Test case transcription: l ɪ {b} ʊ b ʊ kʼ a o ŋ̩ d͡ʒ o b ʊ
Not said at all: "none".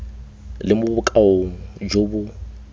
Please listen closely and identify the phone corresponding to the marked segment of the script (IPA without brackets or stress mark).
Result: m